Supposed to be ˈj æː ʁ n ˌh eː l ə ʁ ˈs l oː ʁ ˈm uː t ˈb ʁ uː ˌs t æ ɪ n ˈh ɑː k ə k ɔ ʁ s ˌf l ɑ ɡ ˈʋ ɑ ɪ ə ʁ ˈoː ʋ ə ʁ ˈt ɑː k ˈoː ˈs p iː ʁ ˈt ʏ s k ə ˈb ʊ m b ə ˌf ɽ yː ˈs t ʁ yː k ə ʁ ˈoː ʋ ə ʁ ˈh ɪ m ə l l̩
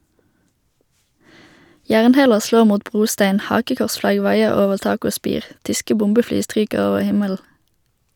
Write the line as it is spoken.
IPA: ˈj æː ʁ n ˌh eː l ə ʁ ˈs l oː ʁ ˈm uː t ˈb ʁ uː ˌs t æ ɪ n ˈh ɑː k ə k ɔ ʁ s ˌf l ɑ ɡ ˈʋ ɑ ɪ ə ʁ ˈoː ʋ ə ʁ ˈt ɑː k ˈoː ˈs p iː ʁ ˈt ʏ s k ə ˈb ʊ m b ə ˌf l yː ˈs t ʁ yː k ə ʁ ˈoː ʋ ə ʁ ˈh ɪ m ə l l̩